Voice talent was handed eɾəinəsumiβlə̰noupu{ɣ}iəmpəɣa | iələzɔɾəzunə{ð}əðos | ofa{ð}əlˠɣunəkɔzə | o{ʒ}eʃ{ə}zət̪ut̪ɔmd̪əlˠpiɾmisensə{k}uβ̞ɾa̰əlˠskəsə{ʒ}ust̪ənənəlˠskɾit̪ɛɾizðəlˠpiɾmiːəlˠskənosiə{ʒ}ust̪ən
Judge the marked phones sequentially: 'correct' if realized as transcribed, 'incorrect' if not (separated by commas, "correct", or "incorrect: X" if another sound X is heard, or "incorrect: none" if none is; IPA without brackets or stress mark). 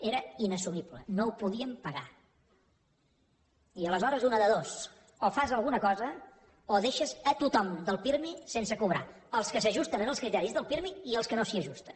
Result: incorrect: ð, correct, incorrect: z, incorrect: ð, correct, correct, correct, correct